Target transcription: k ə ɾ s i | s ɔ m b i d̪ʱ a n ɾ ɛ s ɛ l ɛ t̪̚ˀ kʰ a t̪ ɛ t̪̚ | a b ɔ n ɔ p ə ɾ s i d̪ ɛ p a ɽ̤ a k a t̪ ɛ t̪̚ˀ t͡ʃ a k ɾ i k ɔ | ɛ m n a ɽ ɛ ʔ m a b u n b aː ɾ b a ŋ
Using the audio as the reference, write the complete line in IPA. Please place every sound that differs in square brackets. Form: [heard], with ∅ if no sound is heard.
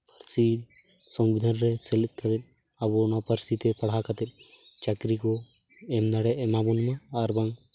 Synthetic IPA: [p] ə ɾ s i | s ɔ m b i d̪ʱ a n ɾ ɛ s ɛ l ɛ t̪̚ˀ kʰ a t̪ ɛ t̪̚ | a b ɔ n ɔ p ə ɾ s i [t̪] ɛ p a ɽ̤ a k a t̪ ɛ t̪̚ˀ t͡ʃ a k ɾ i k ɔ | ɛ m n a ɽ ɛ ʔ m a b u n [m] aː ɾ b a ŋ

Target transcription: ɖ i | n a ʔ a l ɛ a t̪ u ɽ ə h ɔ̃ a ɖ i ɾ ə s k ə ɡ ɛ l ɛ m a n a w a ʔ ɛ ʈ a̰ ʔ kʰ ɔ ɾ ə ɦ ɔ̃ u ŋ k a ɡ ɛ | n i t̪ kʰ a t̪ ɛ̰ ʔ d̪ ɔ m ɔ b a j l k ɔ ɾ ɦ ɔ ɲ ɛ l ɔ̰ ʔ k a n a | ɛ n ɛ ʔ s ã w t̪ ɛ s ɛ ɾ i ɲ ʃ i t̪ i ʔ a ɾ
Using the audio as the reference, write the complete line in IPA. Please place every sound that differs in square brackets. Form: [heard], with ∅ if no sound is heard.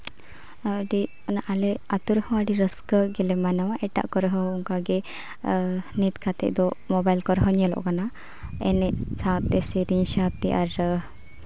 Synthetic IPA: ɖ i | n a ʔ a l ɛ a t̪ u [ɾ] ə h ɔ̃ a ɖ i ɾ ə s k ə ɡ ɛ l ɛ m a n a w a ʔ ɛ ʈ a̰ ʔ [k] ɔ ɾ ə ɦ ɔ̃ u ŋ k a ɡ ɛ | n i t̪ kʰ a t̪ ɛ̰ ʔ d̪ ɔ m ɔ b a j l k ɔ ɾ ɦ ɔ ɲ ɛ l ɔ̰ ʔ k a n a | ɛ n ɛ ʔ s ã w t̪ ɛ s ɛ ɾ i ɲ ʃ [a] t̪ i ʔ a ɾ

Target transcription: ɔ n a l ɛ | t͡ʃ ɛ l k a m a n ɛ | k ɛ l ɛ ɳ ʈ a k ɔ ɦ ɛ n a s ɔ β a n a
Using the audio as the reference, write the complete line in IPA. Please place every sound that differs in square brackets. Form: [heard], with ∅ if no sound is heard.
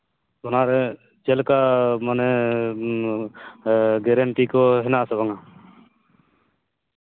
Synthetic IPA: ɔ n a [ɾ] ɛ | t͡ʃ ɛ l k a m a n ɛ | [ɡ] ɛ [ɾ] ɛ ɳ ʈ [i] k ɔ ɦ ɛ n a s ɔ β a [ŋ] a

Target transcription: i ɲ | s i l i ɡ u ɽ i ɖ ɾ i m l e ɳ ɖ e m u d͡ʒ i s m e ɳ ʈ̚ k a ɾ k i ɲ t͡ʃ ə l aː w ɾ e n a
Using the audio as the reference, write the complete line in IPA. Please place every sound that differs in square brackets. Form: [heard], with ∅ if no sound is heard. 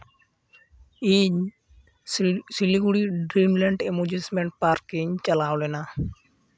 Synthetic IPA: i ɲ | s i l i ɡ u ɽ i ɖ ɾ i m l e ɳ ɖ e m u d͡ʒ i s m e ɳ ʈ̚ [p] a ɾ k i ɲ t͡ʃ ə l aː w [l] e n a

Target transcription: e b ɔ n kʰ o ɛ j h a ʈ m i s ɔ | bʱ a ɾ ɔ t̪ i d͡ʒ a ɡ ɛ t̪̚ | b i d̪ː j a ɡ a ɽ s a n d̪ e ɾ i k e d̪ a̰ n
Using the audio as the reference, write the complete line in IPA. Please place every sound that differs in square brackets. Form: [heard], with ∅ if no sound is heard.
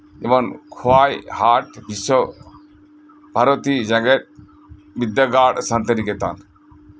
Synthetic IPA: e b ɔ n kʰ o [a] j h a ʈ [b] i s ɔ | bʱ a ɾ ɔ t̪ i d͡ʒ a ɡ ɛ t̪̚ | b i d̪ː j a ɡ a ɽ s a n [t̪] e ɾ i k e [t̪] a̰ n

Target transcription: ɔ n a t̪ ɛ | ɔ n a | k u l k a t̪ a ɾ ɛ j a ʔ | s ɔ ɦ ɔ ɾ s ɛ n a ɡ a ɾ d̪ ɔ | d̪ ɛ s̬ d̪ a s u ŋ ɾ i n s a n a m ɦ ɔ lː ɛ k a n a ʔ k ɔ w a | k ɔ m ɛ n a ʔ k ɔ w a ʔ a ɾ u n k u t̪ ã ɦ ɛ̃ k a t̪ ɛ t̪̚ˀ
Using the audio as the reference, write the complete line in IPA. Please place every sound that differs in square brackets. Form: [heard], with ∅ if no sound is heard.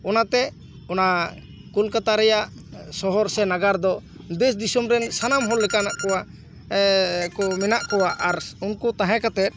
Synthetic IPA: ɔ n a t̪ ɛ | ɔ n a | k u l k a t̪ a ɾ ɛ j a ʔ | s ɔ ɦ ɔ ɾ s ɛ n a ɡ a ɾ d̪ ɔ | d̪ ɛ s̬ d̪ [i] s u [m] ɾ [ɛ] n s a n a m ɦ ɔ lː ɛ k a n a ʔ k ɔ w a | k ɔ m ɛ n a ʔ k ɔ w a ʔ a ɾ u n k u t̪ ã ɦ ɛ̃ k a t̪ ɛ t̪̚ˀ

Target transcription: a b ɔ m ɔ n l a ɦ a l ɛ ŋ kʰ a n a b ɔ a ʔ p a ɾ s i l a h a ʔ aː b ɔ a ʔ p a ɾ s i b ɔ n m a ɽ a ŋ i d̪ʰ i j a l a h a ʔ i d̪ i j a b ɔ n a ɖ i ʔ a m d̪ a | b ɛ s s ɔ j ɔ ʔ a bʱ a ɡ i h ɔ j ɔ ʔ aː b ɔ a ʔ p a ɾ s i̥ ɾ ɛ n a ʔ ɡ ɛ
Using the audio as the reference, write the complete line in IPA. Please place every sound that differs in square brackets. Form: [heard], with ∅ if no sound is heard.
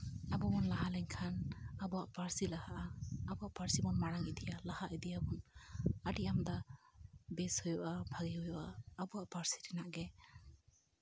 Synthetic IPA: a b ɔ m ɔ n l a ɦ a l ɛ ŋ kʰ a n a b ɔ a ʔ p a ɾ s i l a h a ʔ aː b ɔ a ʔ p a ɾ s i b ɔ n m a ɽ a ŋ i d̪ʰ i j a l a h a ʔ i d̪ i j a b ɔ n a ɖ i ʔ a m d̪ a | b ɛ s [h] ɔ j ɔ ʔ a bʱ a ɡ i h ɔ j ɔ ʔ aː b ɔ a ʔ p a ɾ s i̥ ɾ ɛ n a ʔ ɡ ɛ

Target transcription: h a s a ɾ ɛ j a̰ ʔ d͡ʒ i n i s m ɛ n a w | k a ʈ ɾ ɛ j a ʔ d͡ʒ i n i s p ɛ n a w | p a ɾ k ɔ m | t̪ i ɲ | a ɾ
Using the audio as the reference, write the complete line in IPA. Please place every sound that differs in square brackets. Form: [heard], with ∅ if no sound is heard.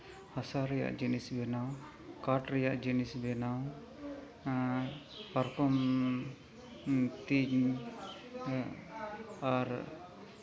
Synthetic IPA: h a s a ɾ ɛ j a̰ ʔ d͡ʒ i n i s [b] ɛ n a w | k a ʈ ɾ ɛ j a ʔ d͡ʒ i n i s [b] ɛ n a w | p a ɾ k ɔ m | t̪ i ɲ | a ɾ

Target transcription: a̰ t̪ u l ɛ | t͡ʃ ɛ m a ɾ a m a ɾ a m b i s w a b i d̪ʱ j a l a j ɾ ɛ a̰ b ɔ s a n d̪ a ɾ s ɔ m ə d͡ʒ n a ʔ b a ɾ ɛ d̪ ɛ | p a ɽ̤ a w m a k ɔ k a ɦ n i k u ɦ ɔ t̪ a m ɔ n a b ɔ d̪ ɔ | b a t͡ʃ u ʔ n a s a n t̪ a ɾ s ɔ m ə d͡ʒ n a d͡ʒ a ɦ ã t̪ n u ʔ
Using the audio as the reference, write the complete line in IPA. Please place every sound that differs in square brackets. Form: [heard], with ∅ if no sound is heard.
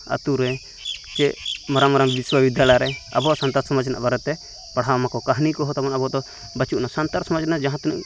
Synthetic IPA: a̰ t̪ u [ɾ] ɛ | t͡ʃ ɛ m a ɾ a m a ɾ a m b i s w a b i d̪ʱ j a l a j ɾ ɛ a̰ b ɔ s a n [t̪] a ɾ s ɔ m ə d͡ʒ n a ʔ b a ɾ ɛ [t̪] ɛ | p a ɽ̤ a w m a k ɔ k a ɦ n i k [ɔ] ɦ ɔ t̪ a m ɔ n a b ɔ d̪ ɔ | b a t͡ʃ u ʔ n a s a n t̪ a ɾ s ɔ m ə d͡ʒ n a d͡ʒ a ɦ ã t̪ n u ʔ

